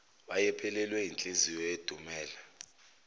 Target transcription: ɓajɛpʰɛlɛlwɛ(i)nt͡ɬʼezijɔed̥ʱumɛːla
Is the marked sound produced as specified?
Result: yes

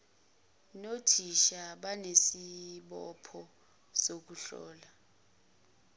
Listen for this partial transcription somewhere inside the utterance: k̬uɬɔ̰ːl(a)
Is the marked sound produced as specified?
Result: yes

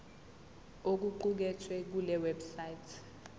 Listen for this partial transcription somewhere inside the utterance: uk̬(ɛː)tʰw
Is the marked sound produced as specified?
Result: no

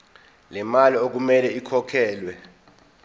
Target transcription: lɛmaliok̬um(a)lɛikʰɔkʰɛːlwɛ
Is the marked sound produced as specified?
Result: no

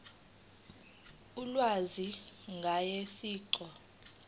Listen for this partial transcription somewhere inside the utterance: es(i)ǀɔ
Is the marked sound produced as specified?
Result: no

